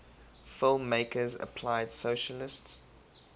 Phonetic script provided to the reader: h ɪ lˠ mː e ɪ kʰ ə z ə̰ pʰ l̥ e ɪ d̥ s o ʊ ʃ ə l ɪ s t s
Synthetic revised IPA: f ɪ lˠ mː e ɪ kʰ ə z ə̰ pʰ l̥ a ɪ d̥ s o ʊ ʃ ə l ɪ s t s